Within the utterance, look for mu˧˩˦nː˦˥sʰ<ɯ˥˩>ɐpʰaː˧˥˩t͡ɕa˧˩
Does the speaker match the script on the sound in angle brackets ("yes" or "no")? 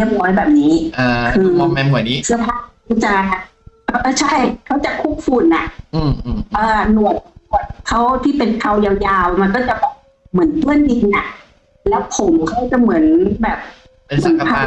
no